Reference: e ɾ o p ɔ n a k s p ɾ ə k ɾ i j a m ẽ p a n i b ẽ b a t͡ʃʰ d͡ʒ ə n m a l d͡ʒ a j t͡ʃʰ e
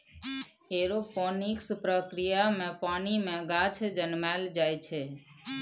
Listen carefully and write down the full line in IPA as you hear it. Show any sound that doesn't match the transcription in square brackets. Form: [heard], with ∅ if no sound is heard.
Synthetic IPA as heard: e ɾ o p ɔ n [i] k s p ɾ ə k ɾ i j a m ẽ p a n i [m] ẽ [ɡ] a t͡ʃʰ d͡ʒ ə n m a l d͡ʒ a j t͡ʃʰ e